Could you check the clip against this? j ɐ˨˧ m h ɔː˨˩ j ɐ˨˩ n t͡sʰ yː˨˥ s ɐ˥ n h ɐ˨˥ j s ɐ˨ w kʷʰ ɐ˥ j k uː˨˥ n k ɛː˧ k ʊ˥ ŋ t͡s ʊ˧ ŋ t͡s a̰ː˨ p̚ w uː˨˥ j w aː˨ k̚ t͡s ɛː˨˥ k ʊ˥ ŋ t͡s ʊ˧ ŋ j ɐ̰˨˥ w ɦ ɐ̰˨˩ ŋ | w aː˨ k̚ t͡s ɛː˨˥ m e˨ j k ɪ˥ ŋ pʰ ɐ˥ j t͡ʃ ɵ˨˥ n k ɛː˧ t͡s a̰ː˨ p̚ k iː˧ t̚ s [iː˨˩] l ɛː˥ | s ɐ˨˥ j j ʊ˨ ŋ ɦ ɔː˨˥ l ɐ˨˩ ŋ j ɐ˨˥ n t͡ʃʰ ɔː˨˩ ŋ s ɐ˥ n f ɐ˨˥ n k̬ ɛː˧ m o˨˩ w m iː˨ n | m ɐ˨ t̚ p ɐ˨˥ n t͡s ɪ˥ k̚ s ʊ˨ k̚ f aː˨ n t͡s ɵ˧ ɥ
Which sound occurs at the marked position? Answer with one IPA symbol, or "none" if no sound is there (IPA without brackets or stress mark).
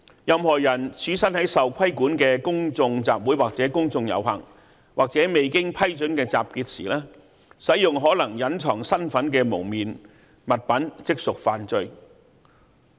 iː˨˩